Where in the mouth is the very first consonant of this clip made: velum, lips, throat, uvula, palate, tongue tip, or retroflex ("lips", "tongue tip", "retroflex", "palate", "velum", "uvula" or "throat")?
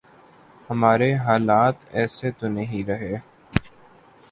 throat